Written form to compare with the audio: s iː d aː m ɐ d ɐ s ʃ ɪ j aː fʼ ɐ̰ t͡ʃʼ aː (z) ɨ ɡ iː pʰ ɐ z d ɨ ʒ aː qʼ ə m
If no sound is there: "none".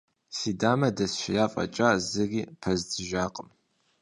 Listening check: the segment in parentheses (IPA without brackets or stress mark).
z